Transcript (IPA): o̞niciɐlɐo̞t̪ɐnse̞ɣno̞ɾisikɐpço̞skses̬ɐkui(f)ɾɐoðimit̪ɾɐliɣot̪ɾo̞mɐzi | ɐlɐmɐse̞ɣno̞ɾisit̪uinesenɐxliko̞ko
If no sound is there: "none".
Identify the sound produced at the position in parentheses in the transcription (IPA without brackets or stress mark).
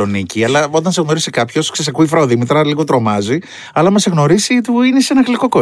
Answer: f